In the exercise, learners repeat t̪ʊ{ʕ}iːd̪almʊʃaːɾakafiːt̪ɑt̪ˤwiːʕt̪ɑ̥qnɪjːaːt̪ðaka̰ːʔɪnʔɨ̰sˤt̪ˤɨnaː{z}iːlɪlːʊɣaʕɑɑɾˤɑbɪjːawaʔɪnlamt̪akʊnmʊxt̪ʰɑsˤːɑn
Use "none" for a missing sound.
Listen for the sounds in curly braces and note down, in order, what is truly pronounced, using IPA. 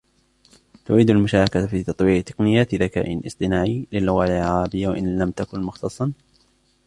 ʕ, ʕ

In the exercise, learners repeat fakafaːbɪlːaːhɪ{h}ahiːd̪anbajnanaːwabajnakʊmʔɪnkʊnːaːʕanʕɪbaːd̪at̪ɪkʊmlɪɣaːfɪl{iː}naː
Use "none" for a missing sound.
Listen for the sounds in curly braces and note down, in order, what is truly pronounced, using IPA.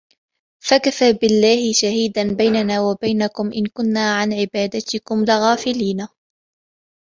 ʃ, iː

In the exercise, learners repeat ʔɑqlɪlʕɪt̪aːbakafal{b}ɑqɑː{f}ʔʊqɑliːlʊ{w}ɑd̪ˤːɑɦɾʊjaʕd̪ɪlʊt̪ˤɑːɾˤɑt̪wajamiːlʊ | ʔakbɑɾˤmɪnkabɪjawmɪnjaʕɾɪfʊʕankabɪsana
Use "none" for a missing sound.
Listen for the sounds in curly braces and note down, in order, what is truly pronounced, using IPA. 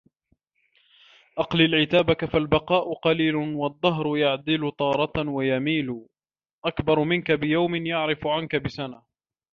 b, none, w

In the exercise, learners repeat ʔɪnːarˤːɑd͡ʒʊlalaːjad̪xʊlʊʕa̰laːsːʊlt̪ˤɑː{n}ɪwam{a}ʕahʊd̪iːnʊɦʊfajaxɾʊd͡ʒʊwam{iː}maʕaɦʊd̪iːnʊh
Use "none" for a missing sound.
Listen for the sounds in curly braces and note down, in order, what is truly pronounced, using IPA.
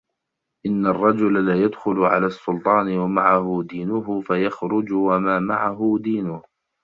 n, a, aː

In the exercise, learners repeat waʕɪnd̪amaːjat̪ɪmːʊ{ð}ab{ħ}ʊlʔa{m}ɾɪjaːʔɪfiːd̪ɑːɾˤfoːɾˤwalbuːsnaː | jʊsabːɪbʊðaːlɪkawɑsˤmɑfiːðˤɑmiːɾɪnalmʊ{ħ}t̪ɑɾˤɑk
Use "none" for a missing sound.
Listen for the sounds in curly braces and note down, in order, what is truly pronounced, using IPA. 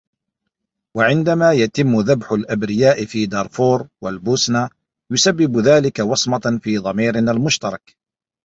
ð, ħ, b, ʃ

